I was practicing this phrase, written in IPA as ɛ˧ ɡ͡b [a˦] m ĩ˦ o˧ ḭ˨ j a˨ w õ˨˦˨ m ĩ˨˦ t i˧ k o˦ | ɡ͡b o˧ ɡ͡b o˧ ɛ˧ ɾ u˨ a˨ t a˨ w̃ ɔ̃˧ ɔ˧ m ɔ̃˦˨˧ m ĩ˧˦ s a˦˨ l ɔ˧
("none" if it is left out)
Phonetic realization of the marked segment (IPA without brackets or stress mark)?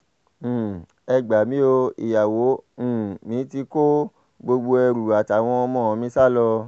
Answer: a˨